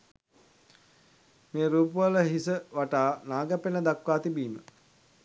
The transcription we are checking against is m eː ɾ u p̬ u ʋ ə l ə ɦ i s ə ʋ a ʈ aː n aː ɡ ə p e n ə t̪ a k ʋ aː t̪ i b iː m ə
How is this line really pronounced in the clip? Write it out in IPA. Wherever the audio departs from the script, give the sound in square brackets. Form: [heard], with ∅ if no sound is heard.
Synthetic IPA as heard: m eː ɾ [uː] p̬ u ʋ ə l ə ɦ i s ə ʋ a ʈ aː n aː ɡ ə p e n ə [d̪] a k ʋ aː t̪ i b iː m ə

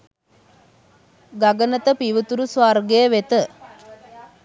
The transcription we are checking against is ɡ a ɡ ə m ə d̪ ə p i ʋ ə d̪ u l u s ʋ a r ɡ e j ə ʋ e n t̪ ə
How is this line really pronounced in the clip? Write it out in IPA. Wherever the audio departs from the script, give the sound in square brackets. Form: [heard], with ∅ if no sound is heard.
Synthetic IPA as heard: ɡ a ɡ ə [n] ə [t̪] ə p i ʋ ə [t̪] u [ɾ] u s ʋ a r ɡ e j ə ʋ e [∅] t̪ ə

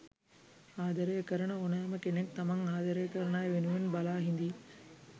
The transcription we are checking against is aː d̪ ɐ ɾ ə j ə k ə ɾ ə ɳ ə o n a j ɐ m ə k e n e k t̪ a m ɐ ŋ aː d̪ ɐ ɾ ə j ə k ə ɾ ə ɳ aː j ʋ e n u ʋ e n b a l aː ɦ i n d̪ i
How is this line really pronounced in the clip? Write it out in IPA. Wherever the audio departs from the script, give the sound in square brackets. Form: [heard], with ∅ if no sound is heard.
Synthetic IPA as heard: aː d̪ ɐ ɾ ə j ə k ə ɾ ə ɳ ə o n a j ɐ m ə k e n e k t̪ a m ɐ ŋ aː d̪ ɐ ɾ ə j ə k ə ɾ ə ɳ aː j ʋ e n u ʋ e n b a l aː ɦ i n d̪ i

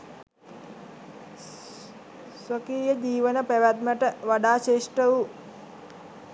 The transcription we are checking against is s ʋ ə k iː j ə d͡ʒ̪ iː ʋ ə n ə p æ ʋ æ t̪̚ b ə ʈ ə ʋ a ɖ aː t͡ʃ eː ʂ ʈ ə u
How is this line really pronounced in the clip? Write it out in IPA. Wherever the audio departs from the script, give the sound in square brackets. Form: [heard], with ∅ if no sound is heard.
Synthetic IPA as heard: s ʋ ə k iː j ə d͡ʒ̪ iː ʋ ə n ə p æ ʋ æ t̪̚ [m] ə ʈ ə ʋ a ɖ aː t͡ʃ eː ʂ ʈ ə u

